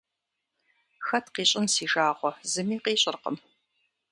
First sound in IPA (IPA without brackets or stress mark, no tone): x